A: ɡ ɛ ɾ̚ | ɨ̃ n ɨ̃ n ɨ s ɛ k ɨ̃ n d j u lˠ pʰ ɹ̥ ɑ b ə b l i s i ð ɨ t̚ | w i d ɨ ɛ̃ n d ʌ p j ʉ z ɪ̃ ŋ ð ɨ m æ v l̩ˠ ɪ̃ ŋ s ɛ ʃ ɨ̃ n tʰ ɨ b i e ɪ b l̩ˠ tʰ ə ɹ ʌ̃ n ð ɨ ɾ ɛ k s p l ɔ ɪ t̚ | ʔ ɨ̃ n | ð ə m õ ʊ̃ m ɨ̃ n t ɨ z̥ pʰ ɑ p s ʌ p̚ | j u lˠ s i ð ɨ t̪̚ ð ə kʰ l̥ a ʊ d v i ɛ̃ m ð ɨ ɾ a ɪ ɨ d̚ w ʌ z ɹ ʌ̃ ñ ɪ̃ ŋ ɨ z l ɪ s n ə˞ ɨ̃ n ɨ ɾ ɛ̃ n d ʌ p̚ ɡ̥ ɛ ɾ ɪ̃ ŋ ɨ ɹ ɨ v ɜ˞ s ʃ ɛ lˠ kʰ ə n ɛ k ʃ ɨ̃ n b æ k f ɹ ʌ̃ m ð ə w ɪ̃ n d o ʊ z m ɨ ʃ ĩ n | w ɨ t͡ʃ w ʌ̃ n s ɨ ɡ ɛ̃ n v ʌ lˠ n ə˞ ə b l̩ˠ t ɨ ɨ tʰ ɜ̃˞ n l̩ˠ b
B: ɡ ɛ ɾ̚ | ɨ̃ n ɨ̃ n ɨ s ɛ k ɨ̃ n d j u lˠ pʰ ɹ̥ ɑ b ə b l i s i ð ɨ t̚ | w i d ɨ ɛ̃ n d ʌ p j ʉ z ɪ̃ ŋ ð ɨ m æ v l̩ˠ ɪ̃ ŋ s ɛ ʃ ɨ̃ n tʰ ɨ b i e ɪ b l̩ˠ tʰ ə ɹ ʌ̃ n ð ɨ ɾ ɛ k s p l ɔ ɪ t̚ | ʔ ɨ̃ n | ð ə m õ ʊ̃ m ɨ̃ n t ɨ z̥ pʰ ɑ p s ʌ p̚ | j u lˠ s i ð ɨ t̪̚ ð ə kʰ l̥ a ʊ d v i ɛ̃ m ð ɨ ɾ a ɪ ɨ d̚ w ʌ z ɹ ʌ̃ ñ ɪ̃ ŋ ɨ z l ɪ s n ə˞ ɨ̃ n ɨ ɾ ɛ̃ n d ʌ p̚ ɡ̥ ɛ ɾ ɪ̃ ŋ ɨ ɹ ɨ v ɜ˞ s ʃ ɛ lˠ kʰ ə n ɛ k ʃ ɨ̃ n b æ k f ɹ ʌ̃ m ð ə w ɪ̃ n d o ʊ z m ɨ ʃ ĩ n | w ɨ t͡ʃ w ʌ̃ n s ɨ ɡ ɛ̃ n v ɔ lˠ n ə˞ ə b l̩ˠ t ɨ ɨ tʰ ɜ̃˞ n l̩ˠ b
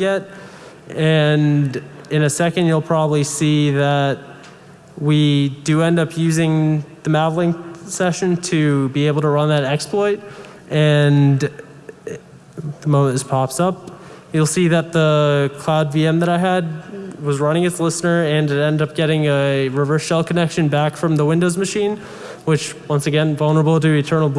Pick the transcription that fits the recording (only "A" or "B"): A